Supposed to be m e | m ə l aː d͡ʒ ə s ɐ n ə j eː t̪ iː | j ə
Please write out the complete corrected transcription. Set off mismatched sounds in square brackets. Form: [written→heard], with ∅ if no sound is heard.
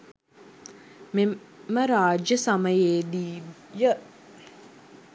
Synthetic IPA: m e | m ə [l→ɾ] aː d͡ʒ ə s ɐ [n→m] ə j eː [t̪→d̪] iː | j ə